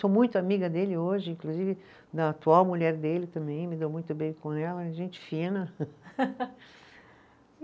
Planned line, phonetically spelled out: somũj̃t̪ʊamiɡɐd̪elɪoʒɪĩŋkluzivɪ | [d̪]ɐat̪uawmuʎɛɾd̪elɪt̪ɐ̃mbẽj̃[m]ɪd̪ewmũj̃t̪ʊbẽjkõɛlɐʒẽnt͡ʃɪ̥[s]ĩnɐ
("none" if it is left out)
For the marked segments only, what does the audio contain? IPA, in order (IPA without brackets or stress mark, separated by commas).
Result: d̪, m, f